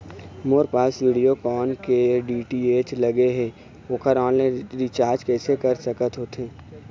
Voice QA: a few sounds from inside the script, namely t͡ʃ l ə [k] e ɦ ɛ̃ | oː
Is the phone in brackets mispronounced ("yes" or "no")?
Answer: yes